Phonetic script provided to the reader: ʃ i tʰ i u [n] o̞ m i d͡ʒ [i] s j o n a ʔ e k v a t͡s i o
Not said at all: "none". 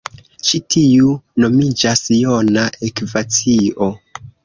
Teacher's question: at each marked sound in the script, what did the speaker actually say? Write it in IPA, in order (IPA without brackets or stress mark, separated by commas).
n, a